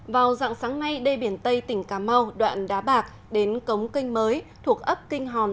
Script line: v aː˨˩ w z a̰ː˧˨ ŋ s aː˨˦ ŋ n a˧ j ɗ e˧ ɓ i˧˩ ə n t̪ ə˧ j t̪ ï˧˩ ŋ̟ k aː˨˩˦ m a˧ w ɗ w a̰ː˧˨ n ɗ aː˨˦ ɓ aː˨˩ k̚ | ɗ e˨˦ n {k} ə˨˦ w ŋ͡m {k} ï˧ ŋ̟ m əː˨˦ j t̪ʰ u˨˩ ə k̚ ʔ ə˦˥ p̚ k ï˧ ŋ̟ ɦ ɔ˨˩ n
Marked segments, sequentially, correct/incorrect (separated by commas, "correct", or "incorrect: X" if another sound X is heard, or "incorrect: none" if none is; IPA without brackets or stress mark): correct, correct